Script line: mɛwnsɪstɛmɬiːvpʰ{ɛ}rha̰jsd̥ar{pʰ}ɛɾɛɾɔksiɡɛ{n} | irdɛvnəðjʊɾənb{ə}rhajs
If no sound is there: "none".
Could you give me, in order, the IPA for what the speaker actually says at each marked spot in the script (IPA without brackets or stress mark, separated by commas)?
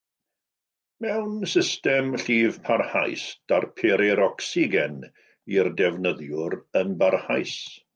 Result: a, pʰ, n, a